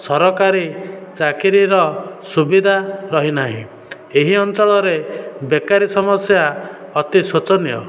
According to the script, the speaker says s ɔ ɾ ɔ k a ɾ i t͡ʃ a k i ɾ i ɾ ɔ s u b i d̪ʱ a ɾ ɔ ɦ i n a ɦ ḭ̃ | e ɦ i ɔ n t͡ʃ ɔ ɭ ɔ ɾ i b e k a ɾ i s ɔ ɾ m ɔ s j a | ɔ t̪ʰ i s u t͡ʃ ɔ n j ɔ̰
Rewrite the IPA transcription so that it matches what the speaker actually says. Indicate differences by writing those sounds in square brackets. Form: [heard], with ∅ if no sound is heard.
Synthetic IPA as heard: s ɔ ɾ ɔ k a ɾ i t͡ʃ a k i ɾ i ɾ ɔ s u b i d̪ʱ a ɾ ɔ ɦ i n a ɦ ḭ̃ | e ɦ i ɔ n t͡ʃ ɔ ɭ ɔ ɾ [e] b e k a ɾ i s ɔ [∅] m ɔ s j a | ɔ [t̪] i s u t͡ʃ ɔ n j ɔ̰